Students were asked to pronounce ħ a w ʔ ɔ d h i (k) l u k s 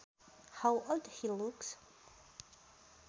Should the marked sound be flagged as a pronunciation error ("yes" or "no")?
yes